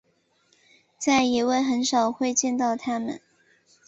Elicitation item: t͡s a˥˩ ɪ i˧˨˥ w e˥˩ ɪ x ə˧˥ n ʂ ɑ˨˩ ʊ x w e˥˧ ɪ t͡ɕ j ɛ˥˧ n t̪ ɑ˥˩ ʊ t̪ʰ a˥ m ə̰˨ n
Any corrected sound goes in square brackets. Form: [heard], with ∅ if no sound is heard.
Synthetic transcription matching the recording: t͡s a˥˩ ɪ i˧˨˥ w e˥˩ ɪ x ə˧˥ n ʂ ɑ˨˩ ʊ x w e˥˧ ɪ t͡ɕ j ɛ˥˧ n t̪ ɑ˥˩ ʊ t̪ʰ a˥ m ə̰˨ n

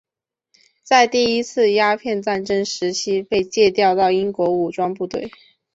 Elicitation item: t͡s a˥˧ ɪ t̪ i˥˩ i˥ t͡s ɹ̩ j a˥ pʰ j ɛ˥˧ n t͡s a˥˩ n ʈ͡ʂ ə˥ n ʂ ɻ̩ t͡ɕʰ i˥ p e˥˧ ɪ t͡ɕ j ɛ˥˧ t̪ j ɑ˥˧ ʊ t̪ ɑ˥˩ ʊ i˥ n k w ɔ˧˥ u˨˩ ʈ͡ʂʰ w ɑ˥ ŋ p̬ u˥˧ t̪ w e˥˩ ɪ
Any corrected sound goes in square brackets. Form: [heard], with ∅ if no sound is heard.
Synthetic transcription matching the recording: t͡s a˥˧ ɪ t̪ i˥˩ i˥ [t͡sʰ] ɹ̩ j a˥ pʰ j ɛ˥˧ n t͡s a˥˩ n ʈ͡ʂ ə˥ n ʂ ɻ̩ t͡ɕʰ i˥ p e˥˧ ɪ t͡ɕ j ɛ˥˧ t̪ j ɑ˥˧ ʊ t̪ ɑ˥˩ ʊ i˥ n k w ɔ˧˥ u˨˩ [ʈ͡ʂ] w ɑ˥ ŋ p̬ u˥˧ t̪ w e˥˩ ɪ

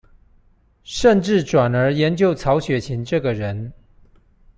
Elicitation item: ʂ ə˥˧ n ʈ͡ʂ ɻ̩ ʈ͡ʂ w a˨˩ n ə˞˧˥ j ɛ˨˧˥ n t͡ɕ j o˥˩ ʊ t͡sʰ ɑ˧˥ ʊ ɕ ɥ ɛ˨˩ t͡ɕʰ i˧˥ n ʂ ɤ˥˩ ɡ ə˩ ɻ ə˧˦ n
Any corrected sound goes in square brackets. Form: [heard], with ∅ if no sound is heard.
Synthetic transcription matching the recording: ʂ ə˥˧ n ʈ͡ʂ ɻ̩ ʈ͡ʂ w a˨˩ n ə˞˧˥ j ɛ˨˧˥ n t͡ɕ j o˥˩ ʊ t͡sʰ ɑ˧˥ ʊ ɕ ɥ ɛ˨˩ t͡ɕʰ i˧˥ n [ʈ͡ʂ] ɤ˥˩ ɡ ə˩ ɻ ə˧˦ n

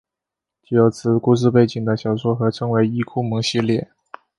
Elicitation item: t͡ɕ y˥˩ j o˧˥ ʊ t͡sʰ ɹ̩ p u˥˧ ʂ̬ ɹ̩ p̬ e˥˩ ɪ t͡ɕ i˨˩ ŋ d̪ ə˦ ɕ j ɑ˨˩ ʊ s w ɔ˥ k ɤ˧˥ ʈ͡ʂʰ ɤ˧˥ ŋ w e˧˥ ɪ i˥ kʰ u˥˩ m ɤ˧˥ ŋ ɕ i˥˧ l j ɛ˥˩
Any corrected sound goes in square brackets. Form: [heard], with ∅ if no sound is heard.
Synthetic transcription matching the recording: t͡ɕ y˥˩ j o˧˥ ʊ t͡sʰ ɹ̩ [k] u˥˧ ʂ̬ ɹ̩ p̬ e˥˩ ɪ t͡ɕ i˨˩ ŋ d̪ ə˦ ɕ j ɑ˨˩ ʊ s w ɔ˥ [x] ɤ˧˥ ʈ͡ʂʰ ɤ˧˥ ŋ w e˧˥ ɪ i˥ kʰ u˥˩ m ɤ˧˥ ŋ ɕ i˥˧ l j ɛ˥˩

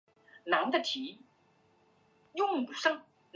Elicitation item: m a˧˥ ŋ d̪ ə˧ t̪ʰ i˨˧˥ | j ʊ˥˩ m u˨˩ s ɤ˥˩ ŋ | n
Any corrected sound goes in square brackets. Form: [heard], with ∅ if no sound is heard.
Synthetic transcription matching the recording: [n] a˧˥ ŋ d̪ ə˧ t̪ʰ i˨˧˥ | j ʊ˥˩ [ŋ] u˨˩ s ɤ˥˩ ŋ | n

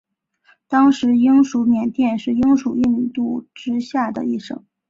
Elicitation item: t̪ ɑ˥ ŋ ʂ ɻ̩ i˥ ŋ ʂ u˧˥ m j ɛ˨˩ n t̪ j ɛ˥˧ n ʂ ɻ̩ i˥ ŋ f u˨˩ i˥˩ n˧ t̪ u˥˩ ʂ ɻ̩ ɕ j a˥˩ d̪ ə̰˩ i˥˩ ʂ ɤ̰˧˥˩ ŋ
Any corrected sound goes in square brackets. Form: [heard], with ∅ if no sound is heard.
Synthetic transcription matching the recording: t̪ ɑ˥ ŋ ʂ ɻ̩ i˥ ŋ ʂ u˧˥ m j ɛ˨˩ n t̪ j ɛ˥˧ n ʂ ɻ̩ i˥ ŋ [ʂ] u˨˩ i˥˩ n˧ t̪ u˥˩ [ʈ͡ʂ] ɻ̩ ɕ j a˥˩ d̪ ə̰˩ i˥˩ ʂ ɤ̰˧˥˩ ŋ

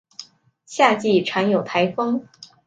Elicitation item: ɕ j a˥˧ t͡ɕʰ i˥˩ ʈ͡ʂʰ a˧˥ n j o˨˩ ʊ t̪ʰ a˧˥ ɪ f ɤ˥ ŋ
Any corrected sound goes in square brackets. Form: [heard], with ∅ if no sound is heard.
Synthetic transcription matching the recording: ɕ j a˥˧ [t͡ɕ] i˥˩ ʈ͡ʂʰ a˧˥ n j o˨˩ ʊ t̪ʰ a˧˥ ɪ f ɤ˥ ŋ

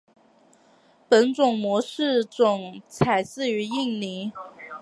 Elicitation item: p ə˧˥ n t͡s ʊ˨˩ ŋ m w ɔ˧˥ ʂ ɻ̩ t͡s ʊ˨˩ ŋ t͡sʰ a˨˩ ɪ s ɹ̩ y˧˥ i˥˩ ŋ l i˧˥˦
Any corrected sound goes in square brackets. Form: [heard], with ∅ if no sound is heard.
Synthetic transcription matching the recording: p ə˧˥ n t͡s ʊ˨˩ ŋ m w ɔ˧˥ ʂ ɻ̩ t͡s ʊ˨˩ ŋ t͡sʰ a˨˩ ɪ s ɹ̩ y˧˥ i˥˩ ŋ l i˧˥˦

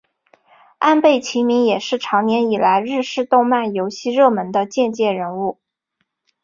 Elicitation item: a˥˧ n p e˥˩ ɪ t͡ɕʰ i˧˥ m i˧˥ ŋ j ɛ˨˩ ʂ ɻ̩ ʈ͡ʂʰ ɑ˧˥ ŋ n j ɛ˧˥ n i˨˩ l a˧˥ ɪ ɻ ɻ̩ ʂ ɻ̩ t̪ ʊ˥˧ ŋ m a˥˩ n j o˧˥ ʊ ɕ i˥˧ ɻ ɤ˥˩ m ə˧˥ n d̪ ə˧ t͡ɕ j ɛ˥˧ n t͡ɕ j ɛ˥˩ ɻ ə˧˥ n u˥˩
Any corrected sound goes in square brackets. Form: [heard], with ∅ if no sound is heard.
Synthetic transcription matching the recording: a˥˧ n p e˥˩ ɪ t͡ɕʰ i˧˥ m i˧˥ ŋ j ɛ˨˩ ʂ ɻ̩ ʈ͡ʂʰ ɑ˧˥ ŋ n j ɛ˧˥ n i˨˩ l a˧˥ ɪ ɻ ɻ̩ ʂ ɻ̩ t̪ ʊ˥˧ ŋ m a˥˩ n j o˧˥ ʊ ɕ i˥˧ ɻ ɤ˥˩ m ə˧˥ n d̪ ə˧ t͡ɕ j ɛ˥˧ n t͡ɕ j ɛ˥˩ ɻ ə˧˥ n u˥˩

